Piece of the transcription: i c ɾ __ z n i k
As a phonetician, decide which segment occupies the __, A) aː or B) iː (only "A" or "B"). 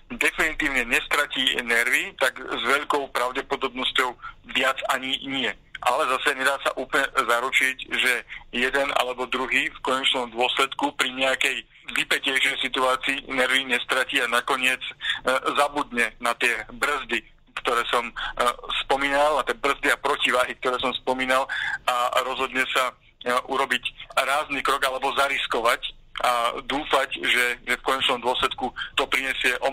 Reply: A